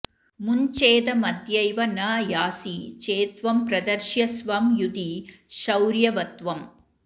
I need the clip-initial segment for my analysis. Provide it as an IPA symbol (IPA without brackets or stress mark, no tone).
m